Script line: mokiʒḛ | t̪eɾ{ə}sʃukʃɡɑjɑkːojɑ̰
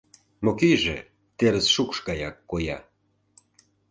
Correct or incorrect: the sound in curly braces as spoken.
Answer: correct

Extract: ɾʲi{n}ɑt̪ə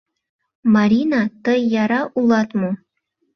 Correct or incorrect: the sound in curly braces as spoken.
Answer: correct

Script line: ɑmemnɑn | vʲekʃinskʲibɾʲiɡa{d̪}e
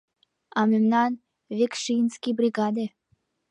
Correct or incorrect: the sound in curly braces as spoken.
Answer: correct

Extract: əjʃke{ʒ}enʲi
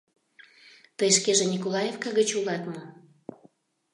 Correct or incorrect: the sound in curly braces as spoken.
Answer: correct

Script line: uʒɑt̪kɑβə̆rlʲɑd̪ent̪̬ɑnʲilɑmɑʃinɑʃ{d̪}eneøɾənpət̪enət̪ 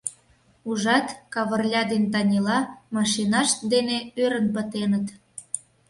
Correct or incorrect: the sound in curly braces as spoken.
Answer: correct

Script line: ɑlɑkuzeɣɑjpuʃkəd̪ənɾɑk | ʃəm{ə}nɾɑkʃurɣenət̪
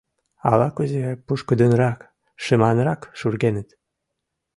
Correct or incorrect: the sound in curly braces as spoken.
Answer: incorrect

